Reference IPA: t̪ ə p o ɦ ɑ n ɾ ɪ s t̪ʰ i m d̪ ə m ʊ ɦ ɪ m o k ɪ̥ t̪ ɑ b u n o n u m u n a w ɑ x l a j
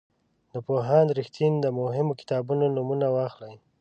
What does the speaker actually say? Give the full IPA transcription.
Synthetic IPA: d̪ ə p o ɦ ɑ n ɾ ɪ x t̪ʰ i n d̪ ə m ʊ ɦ ɪ m o k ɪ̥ t̪ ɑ b u n o n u m u n a w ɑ x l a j